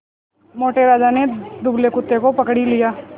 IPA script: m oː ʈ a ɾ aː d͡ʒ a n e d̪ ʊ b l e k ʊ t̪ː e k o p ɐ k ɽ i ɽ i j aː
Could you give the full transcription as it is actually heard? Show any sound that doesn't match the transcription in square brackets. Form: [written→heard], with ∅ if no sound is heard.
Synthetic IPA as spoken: m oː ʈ [a→e] ɾ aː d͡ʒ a n e d̪ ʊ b l e k ʊ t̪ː e k o p ɐ k ɽ i [ɽ→l] i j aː